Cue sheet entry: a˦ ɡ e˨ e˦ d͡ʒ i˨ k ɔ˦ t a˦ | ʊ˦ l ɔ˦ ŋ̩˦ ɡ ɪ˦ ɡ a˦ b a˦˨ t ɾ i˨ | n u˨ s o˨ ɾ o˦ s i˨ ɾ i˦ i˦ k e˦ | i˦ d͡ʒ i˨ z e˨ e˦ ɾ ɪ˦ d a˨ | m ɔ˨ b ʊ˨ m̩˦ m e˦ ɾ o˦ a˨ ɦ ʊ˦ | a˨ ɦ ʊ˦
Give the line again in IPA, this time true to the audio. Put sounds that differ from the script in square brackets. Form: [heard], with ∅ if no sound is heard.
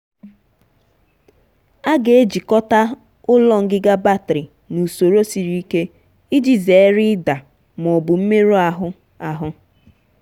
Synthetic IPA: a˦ ɡ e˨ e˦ d͡ʒ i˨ k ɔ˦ t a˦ | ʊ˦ l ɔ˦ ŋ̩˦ ɡ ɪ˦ ɡ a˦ b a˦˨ t ɾ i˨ | n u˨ s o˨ ɾ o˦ s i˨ ɾ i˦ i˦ k e˦ | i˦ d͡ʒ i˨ z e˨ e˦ ɾ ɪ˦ d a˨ | m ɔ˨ b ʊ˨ m̩˦ m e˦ ɾ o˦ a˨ ɦ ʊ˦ | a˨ ɦ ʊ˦